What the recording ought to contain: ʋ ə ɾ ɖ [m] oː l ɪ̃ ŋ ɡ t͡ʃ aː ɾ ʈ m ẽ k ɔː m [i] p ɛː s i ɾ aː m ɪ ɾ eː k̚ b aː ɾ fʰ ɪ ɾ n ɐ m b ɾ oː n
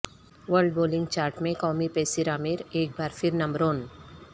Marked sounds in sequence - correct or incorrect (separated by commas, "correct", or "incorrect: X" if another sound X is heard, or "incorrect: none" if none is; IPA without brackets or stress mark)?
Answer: incorrect: b, correct